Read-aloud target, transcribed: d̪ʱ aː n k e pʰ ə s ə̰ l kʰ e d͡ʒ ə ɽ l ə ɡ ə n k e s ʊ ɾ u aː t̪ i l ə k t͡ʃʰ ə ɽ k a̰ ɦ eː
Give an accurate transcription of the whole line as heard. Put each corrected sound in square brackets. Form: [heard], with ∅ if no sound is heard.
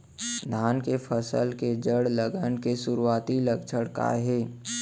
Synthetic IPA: d̪ʱ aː n k e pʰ ə s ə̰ l [k] e d͡ʒ ə ɽ l ə ɡ ə n k e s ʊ ɾ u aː t̪ i l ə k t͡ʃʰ ə ɽ k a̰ ɦ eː